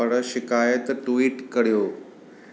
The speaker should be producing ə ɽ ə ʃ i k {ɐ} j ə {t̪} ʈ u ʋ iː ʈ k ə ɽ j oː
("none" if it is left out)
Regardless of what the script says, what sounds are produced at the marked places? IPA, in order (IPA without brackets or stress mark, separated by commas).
a, t̪